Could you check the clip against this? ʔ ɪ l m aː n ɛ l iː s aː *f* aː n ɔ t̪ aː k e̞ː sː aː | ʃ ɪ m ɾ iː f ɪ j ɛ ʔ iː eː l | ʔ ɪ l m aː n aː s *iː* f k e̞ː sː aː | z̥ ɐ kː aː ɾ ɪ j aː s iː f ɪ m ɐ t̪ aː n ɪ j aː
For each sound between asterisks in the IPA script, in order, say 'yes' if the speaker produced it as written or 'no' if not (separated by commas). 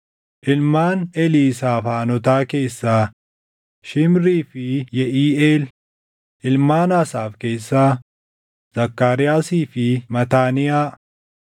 yes, no